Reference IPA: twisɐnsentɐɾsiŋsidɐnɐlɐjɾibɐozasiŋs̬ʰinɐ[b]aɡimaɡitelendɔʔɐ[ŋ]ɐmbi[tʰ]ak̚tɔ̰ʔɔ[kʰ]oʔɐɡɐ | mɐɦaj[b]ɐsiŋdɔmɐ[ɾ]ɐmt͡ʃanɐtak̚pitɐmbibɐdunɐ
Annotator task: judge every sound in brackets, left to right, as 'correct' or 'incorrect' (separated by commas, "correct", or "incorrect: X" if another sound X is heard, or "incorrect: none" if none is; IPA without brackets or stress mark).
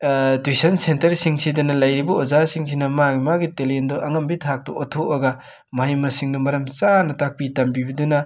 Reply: incorrect: m, correct, correct, incorrect: tʰ, incorrect: m, correct